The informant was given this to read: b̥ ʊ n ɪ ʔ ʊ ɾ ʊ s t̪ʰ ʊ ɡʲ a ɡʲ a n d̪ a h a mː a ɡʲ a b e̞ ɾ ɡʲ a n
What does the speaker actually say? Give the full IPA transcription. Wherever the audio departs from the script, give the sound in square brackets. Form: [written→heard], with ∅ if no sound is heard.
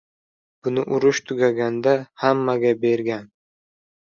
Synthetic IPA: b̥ ʊ n ɪ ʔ ʊ ɾ ʊ [s→ʃ] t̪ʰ ʊ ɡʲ a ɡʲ a n d̪ a h a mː a ɡʲ a b e̞ ɾ ɡʲ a n